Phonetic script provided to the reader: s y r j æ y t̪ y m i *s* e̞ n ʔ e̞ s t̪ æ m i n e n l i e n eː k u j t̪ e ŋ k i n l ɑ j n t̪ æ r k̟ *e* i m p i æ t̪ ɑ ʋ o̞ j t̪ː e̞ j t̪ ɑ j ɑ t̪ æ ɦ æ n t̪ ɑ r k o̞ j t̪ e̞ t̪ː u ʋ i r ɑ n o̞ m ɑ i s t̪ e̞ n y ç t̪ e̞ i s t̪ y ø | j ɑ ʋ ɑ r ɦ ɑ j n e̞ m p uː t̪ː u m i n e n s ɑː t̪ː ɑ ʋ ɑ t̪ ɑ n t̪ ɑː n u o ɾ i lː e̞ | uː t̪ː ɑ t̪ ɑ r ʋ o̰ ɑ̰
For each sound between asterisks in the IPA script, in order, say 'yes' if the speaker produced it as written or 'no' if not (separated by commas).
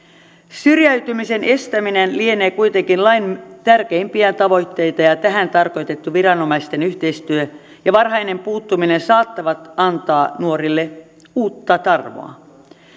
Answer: yes, yes